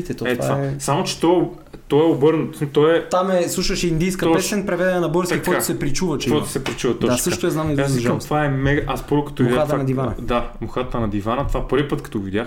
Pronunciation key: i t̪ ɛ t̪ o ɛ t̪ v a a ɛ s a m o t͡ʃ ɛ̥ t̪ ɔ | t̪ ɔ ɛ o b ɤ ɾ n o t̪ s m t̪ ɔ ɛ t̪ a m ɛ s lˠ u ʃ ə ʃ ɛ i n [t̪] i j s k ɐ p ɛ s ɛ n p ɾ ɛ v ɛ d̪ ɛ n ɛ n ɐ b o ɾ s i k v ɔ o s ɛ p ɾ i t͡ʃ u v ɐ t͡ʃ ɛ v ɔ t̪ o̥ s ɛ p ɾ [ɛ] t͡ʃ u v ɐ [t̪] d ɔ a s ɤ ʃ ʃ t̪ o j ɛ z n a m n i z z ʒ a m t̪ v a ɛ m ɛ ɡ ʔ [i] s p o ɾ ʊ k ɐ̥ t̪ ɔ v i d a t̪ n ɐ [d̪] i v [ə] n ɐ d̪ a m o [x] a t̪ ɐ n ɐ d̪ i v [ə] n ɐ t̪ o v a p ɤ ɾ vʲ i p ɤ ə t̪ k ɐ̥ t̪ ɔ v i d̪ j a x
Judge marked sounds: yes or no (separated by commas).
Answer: no, no, yes, no, yes, no, yes, no